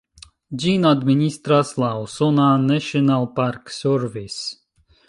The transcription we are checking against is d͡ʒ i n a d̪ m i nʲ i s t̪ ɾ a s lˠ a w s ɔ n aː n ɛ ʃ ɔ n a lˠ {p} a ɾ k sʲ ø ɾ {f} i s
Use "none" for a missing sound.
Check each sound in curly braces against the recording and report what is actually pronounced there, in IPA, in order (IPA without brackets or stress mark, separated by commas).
p, v